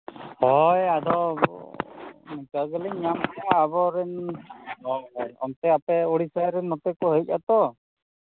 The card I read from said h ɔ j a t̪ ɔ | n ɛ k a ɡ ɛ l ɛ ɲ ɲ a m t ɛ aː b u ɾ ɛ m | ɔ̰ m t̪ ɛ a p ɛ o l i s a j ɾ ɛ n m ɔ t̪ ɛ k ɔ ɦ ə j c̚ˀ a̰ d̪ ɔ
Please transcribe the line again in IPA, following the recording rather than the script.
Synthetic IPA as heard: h ɔ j a d̪ ɔ | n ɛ k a ɡ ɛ l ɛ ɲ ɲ a m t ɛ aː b ɔ ɾ ɛ n | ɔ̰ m t̪ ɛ a p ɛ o ɽ i s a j ɾ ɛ n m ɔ t̪ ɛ k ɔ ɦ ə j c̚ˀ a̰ t̪ ɔ